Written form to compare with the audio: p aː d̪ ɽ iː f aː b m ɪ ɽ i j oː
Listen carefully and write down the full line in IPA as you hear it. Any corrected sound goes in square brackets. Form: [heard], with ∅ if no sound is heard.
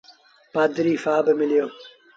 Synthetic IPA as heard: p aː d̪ [ɾ] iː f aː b m ɪ [l] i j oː